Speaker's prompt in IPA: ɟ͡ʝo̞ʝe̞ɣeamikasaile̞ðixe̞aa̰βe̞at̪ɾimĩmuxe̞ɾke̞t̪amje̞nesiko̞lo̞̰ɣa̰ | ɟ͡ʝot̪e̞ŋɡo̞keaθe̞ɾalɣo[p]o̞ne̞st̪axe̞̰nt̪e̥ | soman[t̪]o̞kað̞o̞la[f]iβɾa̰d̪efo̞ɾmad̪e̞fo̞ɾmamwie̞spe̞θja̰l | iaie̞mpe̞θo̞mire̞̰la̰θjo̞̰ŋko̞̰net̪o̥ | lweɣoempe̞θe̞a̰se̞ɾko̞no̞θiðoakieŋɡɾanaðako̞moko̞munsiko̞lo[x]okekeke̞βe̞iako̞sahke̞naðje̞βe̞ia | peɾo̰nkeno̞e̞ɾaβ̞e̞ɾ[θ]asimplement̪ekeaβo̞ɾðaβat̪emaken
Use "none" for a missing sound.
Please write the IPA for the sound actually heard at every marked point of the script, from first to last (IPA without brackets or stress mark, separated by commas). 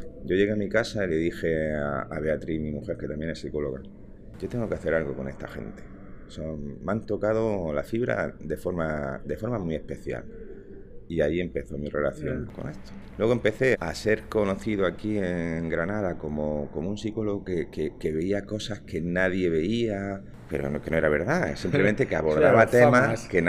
k, t̪, f, ɣ, ð